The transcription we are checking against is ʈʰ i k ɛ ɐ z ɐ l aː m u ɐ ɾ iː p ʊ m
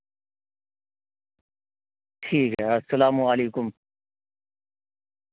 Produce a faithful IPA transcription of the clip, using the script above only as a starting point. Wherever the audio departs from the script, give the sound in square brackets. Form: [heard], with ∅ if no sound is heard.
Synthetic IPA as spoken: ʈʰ [iː] k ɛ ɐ [s] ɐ l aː m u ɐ [l] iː [k] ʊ m

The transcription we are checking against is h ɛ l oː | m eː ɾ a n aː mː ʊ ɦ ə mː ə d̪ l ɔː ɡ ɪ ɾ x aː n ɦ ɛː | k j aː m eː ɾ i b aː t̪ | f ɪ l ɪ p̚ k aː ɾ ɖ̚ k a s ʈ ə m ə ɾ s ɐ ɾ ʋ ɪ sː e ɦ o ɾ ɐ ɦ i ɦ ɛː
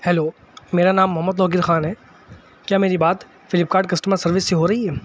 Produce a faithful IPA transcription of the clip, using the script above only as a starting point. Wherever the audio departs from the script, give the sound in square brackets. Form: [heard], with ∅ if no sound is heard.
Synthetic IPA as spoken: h ɛ l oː | m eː ɾ a n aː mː ʊ ɦ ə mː ə d̪ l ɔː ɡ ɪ ɾ x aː n ɦ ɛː | k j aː m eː ɾ i b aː t̪ | f ɪ l ɪ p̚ k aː ɾ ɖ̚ k [ɐ] s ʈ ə m ə ɾ s ɐ ɾ ʋ ɪ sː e ɦ o ɾ ɐ ɦ i ɦ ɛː

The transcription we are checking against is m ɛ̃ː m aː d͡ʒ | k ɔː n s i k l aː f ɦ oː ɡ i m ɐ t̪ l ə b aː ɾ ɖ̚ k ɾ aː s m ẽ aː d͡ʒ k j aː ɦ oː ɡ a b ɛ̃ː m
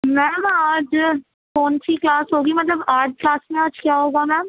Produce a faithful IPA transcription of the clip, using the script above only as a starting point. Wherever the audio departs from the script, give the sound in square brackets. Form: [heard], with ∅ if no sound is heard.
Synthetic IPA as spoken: m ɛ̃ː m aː d͡ʒ | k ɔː n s i k l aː [s] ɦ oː ɡ i m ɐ t̪ l ə b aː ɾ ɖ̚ k [l] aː s m ẽ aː d͡ʒ k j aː ɦ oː ɡ a [m] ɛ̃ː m

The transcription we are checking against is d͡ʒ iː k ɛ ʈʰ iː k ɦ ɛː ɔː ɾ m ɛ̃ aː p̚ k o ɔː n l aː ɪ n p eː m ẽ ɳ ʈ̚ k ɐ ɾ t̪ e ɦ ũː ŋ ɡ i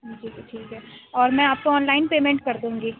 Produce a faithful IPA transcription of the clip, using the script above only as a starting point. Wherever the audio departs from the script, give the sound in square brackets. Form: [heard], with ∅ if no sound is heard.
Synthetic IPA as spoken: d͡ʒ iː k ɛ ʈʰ iː k ɦ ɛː ɔː ɾ m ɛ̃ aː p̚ k o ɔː n l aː ɪ n p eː m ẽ ɳ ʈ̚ k ɐ ɾ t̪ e ɦ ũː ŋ ɡ i

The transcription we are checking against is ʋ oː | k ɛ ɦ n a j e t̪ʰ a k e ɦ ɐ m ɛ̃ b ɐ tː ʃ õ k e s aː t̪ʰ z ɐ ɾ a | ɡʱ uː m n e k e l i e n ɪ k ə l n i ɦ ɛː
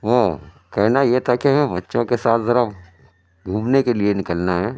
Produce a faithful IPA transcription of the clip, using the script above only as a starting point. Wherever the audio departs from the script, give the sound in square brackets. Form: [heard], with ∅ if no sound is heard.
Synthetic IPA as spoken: ʋ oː | k ɛ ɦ n a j e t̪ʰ a k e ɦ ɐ m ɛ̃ b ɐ tː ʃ õ k e s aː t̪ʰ z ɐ ɾ a | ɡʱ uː m n e k e l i e n ɪ k ə l n [a] ɦ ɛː

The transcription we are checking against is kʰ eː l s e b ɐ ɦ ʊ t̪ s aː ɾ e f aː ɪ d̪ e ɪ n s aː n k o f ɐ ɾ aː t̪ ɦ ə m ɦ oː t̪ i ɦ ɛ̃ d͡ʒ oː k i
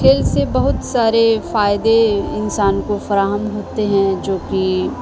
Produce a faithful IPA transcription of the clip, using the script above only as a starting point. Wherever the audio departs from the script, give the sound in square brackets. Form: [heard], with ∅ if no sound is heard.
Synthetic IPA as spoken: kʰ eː l s e b ɐ ɦ ʊ t̪ s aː ɾ e f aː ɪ d̪ e ɪ n s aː n k o f ɐ ɾ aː [∅] ɦ ə m ɦ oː t̪ [e] ɦ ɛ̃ d͡ʒ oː k i

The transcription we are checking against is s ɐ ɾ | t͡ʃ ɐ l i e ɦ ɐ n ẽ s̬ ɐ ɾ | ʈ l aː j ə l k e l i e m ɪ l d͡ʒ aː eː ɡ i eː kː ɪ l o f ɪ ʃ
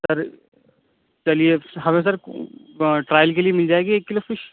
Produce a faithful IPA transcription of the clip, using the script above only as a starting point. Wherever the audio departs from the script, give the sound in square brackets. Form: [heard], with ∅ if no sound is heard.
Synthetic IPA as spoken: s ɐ ɾ | t͡ʃ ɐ l i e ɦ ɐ [m] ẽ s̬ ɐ ɾ | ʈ [ɾ] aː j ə l k e l i e m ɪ l d͡ʒ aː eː ɡ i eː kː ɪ l o f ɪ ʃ

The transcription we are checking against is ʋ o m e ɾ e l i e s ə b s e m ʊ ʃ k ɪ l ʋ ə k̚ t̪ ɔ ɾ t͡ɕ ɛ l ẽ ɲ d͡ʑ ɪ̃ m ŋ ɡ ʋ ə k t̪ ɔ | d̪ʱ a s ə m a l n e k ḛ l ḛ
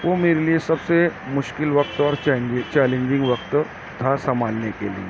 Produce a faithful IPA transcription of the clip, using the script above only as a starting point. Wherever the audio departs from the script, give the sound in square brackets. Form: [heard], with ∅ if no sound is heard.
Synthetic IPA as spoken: ʋ o m e ɾ e l i e s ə b s e m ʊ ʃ k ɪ l ʋ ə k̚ t̪ ɔ ɾ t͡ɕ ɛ l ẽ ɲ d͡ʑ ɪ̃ [∅] ŋ ɡ ʋ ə k t̪ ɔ | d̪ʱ a s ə m a l n e k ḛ l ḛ

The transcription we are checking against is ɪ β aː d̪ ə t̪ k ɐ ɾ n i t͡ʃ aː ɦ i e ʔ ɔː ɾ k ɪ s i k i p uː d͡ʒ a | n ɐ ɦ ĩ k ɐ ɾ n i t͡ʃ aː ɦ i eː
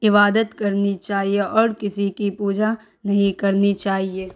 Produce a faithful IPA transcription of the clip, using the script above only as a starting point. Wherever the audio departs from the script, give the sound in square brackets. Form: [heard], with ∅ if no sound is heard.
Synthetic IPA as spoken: ɪ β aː d̪ ə t̪ k ɐ ɾ n i t͡ʃ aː ɦ i e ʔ ɔː ɾ k ɪ s i k i p uː d͡ʒ a | n ɐ ɦ ĩ k ɐ ɾ n i t͡ʃ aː ɦ i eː

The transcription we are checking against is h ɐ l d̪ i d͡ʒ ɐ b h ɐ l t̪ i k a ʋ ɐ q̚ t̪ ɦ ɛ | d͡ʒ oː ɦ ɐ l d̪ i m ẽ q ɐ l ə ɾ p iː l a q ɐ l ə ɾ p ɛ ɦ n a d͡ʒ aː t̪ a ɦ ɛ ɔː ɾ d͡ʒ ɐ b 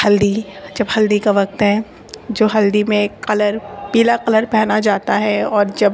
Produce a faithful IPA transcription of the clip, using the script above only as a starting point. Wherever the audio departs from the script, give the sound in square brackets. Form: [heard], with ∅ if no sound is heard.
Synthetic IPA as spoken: h ɐ l d̪ i d͡ʒ ɐ b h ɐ l [d̪] i k a ʋ ɐ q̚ t̪ ɦ ɛ | d͡ʒ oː ɦ ɐ l d̪ i m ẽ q ɐ l ə ɾ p iː l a q ɐ l ə ɾ p ɛ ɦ n a d͡ʒ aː t̪ a ɦ ɛ ɔː ɾ d͡ʒ ɐ b

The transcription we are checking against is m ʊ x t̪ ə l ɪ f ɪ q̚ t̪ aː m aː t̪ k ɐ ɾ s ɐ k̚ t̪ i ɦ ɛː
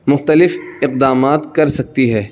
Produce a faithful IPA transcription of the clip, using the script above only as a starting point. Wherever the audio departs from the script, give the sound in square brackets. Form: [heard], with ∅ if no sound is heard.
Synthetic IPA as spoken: m ʊ x t̪ ə l ɪ f ɪ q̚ [d̪] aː m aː t̪ k ɐ ɾ s ɐ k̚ t̪ i ɦ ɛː

